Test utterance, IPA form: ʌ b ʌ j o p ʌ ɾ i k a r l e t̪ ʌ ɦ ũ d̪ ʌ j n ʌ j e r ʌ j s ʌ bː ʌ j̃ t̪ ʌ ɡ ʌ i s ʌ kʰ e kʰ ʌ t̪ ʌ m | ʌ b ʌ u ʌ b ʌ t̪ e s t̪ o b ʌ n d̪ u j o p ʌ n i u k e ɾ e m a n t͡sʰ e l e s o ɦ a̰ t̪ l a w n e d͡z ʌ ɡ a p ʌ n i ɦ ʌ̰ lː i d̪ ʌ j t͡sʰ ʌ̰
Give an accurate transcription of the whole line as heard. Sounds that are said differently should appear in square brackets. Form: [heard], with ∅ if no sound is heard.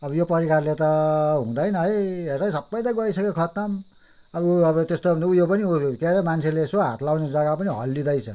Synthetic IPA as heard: ʌ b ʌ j o p ʌ ɾ i k a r l e t̪ ʌ ɦ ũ d̪ ʌ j n ʌ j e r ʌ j s ʌ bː ʌ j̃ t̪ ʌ ɡ ʌ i s ʌ [k] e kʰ ʌ t̪ ʌ m | ʌ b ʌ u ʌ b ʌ t̪ e s t̪ o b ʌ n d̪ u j o p ʌ n i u k e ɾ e m a n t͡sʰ e l e s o ɦ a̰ t̪ l a w n e d͡z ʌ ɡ a p ʌ n i ɦ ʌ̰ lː i d̪ ʌ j t͡sʰ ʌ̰